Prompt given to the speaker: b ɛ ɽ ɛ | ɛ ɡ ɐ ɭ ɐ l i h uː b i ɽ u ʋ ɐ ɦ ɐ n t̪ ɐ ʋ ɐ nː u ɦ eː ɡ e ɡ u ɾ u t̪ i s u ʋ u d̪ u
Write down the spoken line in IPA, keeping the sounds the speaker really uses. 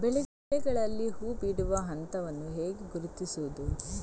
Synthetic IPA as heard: b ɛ ɭ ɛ | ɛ ɡ ɐ ɭ ɐ lː i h uː b i ɽ u ʋ ɐ ɦ ɐ n t̪ ɐ ʋ ɐ nː u ɦ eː ɡ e ɡ u ɾ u t̪ i s u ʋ u d̪ u